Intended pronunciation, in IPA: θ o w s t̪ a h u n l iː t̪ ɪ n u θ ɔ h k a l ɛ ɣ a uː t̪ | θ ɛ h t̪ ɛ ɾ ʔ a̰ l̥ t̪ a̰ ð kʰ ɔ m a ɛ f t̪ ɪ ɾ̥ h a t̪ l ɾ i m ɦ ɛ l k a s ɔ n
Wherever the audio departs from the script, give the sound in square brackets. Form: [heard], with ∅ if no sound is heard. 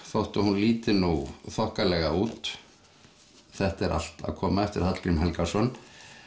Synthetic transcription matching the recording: θ o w [h] t̪ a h u n l iː t̪ ɪ n u θ ɔ h k a l ɛ ɣ a uː t̪ | θ ɛ h t̪ ɛ ɾ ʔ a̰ l̥ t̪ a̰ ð kʰ [ɔː] m a ɛ f t̪ ɪ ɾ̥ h a t̪ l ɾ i m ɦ ɛ l k a s ɔ n